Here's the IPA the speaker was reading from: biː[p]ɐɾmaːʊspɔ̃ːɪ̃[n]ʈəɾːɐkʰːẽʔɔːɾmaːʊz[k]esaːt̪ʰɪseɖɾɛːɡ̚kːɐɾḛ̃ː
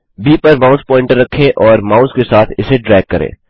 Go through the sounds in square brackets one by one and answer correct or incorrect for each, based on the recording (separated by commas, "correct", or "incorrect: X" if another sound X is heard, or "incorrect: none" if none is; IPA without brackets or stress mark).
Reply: correct, incorrect: ɳ, correct